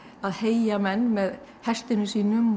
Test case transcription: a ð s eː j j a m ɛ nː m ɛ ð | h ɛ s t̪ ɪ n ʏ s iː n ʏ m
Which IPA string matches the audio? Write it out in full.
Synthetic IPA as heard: a ð h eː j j a m ɛ nː m ɛ ð | h ɛ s t̪ ɪ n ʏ s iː n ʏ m